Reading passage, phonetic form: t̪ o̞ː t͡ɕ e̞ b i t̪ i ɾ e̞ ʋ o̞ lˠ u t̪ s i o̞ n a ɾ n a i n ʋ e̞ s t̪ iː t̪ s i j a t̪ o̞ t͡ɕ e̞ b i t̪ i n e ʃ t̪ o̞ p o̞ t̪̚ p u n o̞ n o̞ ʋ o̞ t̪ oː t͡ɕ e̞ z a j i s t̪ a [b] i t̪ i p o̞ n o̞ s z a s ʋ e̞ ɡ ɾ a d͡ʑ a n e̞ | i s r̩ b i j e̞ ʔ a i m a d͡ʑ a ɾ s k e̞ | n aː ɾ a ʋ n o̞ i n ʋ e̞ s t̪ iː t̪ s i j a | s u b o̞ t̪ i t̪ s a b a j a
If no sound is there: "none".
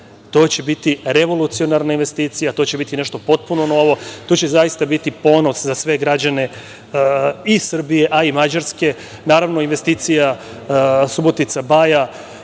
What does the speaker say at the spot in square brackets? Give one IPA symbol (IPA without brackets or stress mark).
b